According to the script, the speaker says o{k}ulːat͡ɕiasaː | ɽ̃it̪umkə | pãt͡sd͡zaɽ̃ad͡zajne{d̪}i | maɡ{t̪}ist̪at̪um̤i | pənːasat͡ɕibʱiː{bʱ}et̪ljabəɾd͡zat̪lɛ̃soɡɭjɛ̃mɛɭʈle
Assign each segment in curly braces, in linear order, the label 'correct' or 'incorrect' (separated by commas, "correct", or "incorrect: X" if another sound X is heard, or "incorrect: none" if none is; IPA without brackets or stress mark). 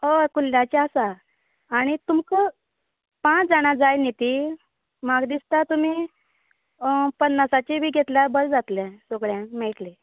correct, incorrect: t̪, incorrect: d̪, incorrect: ɡʱ